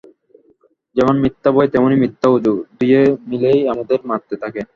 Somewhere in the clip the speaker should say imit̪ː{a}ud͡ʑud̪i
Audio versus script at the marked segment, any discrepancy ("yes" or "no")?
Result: no